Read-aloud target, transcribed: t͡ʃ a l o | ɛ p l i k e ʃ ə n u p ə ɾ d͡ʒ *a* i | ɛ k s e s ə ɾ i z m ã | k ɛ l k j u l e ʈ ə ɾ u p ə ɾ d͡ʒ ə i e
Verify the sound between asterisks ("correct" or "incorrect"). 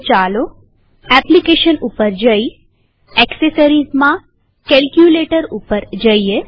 incorrect